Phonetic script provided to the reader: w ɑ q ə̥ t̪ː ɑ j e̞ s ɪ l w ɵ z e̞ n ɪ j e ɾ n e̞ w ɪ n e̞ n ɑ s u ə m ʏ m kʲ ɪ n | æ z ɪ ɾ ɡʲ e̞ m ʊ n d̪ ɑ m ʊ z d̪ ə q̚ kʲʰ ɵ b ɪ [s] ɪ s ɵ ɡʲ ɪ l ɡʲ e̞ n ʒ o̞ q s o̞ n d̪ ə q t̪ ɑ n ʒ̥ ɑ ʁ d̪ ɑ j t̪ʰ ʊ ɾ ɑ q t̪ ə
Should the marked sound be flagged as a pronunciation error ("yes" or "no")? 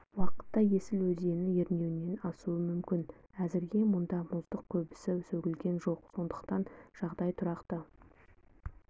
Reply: no